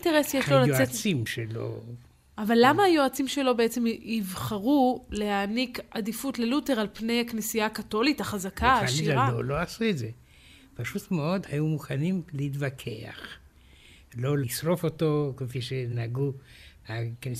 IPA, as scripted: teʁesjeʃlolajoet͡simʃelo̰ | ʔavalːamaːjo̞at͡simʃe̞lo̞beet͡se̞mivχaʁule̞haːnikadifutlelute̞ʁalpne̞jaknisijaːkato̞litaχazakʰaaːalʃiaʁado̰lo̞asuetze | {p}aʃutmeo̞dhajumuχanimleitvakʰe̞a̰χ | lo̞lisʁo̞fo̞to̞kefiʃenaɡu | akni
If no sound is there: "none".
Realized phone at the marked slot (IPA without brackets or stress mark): p